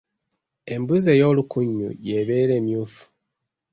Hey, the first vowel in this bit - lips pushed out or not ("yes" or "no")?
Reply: no